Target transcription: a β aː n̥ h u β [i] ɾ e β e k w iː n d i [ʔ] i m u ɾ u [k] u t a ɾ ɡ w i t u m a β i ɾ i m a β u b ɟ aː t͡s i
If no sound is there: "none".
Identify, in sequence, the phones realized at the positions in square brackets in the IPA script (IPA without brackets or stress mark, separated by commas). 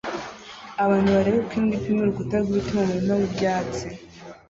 a, p, ɡ